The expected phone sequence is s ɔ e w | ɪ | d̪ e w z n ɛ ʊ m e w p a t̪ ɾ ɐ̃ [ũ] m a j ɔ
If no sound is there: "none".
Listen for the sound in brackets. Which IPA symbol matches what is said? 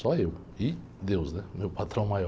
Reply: w̃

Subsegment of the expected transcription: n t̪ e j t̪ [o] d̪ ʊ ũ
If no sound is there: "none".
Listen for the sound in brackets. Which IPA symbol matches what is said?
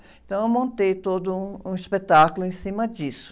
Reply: o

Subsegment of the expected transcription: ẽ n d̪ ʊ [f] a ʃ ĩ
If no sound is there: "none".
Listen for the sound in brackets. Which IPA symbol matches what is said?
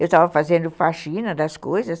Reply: f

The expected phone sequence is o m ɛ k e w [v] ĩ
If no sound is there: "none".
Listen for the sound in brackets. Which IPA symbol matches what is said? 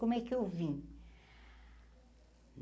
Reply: v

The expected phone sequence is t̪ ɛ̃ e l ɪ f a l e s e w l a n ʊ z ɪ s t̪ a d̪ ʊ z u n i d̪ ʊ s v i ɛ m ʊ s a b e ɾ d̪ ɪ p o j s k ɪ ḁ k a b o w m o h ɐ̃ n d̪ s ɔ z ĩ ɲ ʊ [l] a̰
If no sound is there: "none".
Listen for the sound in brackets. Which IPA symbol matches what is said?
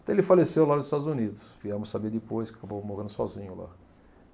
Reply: l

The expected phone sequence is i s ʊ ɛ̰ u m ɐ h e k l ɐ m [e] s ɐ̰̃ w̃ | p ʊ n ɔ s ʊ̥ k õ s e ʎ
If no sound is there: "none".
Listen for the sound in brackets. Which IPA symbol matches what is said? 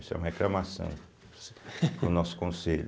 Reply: a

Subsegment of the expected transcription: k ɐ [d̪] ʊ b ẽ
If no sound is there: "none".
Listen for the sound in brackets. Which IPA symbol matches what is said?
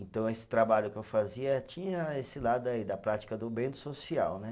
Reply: d̪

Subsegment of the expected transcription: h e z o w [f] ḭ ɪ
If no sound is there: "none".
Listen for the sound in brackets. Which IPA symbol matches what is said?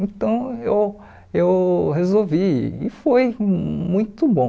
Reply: v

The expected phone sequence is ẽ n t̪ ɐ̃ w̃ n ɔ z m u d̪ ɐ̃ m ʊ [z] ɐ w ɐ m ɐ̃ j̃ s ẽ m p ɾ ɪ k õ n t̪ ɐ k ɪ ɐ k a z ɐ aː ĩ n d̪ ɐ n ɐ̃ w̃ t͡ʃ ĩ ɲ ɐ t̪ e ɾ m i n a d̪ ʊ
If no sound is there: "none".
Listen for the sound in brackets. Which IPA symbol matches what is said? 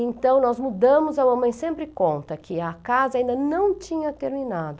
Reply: z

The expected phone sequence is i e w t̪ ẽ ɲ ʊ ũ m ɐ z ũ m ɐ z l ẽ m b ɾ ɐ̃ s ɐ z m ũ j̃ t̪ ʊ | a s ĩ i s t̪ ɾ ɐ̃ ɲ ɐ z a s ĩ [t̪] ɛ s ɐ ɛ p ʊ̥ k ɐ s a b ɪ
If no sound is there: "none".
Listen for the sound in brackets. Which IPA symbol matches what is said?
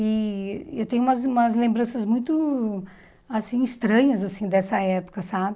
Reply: d̪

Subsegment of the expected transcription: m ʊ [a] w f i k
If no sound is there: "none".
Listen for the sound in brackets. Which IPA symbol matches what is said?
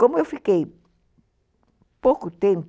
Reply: e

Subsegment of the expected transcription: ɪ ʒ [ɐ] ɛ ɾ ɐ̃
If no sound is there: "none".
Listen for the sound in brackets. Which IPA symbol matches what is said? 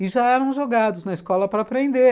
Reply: a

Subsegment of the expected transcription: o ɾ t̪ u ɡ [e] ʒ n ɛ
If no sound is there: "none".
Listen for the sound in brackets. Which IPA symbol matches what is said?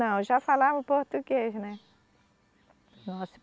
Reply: e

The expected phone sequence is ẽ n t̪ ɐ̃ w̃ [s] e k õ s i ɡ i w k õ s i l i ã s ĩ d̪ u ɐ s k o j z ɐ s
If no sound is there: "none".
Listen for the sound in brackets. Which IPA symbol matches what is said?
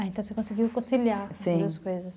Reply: s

